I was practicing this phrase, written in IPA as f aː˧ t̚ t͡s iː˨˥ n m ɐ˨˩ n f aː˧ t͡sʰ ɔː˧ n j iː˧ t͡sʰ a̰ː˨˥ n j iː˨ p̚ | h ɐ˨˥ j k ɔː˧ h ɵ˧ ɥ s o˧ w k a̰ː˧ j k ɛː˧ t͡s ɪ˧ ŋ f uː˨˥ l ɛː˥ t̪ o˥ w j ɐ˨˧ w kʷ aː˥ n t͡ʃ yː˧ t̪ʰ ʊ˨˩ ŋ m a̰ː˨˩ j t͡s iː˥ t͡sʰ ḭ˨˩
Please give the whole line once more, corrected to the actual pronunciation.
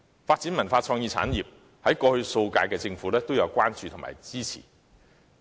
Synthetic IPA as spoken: f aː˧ t̚ t͡s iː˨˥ n m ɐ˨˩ n f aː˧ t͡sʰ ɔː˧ ŋ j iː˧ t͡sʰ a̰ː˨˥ n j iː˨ p̚ | h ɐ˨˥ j k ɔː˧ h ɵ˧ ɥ s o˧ w k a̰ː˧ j k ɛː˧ t͡s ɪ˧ ŋ f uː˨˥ l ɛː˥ t̪ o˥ w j ɐ˨˧ w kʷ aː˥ n t͡ʃ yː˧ t̪ʰ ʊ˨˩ ŋ m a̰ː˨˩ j t͡s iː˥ t͡sʰ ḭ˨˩